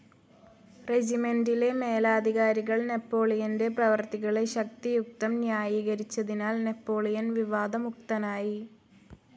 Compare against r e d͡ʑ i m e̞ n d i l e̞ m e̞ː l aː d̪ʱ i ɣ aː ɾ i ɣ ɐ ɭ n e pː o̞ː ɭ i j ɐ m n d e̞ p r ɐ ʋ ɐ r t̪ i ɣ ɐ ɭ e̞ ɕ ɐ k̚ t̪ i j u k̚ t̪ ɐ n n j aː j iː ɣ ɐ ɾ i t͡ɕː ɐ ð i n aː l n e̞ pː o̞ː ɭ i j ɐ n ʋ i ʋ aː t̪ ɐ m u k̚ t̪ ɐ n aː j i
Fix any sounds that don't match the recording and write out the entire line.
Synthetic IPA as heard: r e d͡ʑ i m e̞ n d i l e̞ m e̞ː l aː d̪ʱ i ɣ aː ɾ i ɣ ɐ ɭ n e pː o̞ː ɭ i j ɐ n d e̞ p r ɐ ʋ ɐ r t̪ i ɣ ɐ ɭ e̞ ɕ ɐ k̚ t̪ i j u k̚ t̪ ɐ m n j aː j iː ɣ ɐ ɾ i t͡ɕː ɐ ð i n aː l n e̞ pː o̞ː ɭ i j ɐ n ʋ i ʋ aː d̪ ɐ m u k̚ t̪ ɐ n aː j i